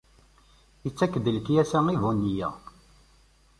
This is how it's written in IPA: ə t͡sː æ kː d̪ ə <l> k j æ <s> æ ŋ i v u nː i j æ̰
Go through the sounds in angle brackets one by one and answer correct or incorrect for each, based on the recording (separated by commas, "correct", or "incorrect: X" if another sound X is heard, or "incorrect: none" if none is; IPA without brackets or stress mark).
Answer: correct, correct